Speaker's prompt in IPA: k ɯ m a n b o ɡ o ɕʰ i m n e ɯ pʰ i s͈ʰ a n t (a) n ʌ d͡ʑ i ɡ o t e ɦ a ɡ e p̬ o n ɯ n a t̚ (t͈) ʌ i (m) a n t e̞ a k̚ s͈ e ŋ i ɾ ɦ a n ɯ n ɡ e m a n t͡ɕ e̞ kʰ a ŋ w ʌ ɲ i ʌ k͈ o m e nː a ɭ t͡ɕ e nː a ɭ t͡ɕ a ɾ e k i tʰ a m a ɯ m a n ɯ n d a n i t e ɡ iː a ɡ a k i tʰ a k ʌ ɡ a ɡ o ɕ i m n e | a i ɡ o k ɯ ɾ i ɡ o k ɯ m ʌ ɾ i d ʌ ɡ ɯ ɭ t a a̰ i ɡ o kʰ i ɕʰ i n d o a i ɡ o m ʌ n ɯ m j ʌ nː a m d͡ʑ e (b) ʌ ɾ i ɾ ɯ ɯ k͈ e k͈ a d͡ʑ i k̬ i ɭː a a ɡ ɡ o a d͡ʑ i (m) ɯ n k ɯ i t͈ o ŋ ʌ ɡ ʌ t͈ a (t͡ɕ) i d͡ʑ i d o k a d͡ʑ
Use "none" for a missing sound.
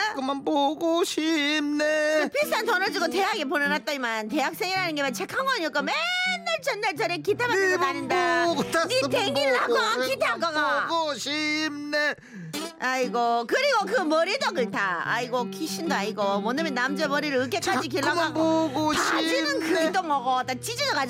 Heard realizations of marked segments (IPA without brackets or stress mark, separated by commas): ʌ, t͈, m, m, n, t͡ɕ